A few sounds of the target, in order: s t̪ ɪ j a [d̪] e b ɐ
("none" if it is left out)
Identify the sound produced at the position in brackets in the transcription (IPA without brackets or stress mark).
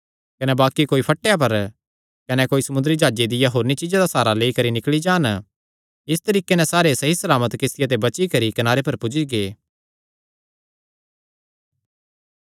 t̪